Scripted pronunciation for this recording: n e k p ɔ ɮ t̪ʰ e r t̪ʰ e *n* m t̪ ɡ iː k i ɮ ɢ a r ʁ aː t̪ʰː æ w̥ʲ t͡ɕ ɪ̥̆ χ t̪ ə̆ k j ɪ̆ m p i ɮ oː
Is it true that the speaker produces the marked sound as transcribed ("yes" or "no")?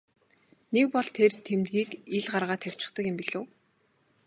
no